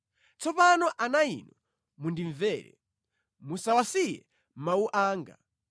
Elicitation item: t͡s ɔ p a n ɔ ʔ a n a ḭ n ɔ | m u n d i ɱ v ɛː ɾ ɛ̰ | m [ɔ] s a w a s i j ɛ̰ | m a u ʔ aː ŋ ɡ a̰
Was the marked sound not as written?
yes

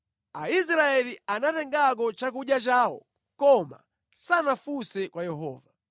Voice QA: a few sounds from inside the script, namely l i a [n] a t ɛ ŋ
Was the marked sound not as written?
no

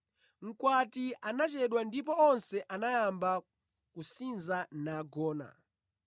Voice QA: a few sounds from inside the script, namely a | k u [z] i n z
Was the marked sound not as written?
yes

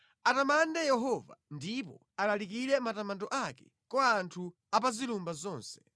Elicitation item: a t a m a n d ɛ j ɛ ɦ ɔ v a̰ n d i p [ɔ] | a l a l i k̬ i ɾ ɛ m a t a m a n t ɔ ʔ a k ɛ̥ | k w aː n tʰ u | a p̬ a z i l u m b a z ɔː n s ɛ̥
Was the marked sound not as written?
no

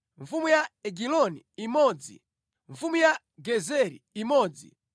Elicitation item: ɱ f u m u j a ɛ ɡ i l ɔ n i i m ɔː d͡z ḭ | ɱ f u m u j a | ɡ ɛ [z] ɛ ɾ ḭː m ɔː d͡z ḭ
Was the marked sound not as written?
no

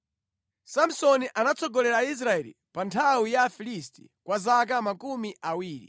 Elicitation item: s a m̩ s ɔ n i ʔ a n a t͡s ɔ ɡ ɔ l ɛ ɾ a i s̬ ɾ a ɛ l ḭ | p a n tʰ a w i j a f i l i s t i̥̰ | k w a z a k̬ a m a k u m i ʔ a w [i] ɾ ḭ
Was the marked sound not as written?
yes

